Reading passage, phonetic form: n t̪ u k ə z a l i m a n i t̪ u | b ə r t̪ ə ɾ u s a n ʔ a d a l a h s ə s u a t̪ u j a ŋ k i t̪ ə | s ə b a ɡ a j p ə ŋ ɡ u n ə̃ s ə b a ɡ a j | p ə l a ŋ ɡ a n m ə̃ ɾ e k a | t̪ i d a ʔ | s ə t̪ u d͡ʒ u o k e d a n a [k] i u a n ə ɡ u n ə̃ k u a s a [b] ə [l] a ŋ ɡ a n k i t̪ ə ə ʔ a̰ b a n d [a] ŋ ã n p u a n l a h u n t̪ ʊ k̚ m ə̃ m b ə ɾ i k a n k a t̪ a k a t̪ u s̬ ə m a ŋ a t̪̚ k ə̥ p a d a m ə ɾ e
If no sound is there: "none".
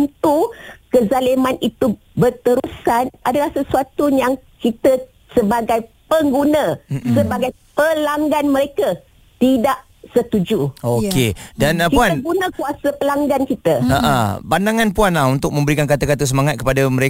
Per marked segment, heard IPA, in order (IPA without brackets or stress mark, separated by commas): k, p, l, a